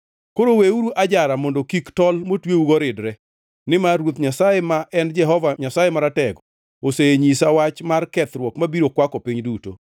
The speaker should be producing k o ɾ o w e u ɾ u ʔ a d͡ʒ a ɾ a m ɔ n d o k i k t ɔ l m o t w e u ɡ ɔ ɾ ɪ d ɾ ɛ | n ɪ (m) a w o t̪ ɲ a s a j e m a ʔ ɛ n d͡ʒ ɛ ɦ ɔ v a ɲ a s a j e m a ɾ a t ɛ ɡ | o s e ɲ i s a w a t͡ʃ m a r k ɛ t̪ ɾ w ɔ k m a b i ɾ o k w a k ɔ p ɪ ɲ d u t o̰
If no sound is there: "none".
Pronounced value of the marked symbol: m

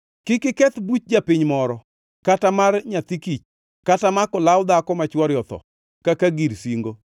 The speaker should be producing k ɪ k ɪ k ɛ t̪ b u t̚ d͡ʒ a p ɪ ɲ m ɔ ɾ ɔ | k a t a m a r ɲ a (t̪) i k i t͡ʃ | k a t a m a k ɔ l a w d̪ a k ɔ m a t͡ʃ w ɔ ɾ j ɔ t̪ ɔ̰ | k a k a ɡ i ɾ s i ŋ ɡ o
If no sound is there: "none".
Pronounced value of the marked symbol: t̪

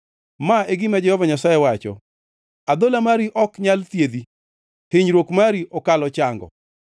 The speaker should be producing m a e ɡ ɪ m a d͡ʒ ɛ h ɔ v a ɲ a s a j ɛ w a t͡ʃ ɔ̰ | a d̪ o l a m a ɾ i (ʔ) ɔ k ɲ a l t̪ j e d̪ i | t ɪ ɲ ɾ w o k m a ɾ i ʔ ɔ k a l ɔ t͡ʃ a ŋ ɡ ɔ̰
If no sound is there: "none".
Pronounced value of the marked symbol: ʔ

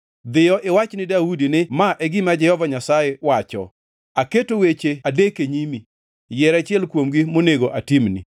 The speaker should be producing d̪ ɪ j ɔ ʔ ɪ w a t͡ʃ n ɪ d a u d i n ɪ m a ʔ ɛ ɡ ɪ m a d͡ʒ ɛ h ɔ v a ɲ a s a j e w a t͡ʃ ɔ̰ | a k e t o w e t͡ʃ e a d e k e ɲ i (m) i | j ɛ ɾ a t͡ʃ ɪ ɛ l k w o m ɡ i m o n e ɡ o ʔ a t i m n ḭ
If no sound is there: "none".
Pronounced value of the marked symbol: m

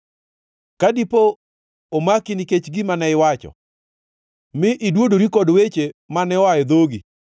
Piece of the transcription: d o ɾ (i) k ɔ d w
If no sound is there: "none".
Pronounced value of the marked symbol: i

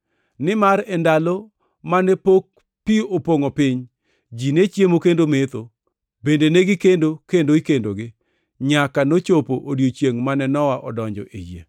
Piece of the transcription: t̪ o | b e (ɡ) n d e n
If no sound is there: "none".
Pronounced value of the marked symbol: none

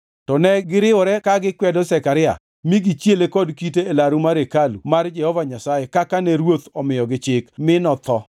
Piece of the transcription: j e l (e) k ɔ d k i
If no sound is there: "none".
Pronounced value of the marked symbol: e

